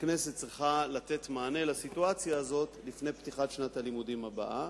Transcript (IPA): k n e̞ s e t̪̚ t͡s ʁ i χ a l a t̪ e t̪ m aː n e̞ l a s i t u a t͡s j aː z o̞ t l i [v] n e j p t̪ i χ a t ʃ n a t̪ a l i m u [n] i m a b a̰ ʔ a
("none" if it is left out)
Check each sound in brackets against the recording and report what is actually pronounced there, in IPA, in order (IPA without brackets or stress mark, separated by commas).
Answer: f, d